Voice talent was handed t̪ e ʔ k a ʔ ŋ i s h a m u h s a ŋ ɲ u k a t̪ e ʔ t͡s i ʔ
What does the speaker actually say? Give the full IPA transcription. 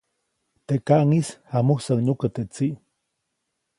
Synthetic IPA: t̪ e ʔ k a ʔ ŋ i s h a m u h s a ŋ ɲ u k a t̪ e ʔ t͡s i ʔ